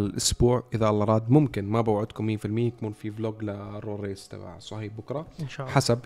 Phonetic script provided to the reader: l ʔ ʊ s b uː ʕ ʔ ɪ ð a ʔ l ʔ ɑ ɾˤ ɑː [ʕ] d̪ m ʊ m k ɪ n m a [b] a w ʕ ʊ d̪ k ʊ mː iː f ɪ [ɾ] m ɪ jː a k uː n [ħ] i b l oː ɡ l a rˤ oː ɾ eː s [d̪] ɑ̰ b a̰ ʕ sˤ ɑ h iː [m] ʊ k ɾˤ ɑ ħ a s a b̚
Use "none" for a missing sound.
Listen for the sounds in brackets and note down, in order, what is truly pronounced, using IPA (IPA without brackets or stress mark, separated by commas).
none, b, l, f, t̪, b